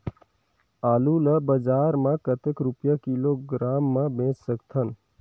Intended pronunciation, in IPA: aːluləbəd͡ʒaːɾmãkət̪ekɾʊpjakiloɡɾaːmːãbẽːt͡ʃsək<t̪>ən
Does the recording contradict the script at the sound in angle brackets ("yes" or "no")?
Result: yes